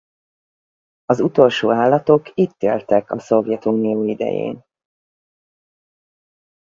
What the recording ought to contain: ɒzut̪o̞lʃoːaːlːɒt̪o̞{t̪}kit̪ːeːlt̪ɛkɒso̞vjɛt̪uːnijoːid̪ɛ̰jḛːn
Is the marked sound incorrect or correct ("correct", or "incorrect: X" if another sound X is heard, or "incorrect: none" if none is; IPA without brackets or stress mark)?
incorrect: none